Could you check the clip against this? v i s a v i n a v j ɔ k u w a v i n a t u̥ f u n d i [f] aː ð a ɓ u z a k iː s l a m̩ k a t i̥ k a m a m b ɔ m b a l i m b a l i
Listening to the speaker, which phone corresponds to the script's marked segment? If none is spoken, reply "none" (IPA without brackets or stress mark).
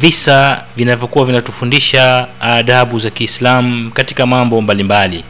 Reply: ʃ